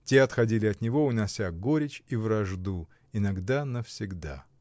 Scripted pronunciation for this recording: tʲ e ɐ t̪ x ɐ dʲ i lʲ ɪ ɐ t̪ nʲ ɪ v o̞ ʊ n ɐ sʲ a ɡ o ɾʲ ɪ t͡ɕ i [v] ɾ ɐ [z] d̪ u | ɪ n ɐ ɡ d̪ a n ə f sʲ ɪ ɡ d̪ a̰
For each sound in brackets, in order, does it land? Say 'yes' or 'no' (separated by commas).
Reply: yes, no